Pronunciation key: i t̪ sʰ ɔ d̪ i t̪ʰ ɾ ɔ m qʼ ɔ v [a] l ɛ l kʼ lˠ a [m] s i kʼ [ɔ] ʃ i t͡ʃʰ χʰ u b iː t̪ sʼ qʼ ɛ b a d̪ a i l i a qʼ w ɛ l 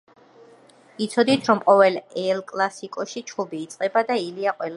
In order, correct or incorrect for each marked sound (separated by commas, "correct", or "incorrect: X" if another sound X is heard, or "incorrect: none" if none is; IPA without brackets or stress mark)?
incorrect: ɛ, incorrect: none, correct